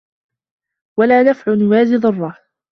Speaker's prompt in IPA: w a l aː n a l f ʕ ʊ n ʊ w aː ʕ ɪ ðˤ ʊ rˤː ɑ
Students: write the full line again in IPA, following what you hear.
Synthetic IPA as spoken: w a l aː n a f ʕ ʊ n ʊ w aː z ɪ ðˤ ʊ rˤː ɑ